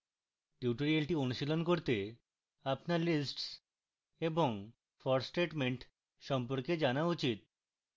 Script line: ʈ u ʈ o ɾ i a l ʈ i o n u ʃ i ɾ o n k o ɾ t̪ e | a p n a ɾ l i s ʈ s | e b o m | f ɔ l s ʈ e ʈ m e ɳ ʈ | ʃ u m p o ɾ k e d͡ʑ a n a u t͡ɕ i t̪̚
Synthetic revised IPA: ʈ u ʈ o ɾ i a l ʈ i o n u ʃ i l o n k o ɾ t̪ e | a p n a ɾ l i s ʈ s | e b o ŋ | f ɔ ɾ s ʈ e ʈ m e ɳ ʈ | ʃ ɔ m p o ɾ k e d͡ʑ a n a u t͡ɕ i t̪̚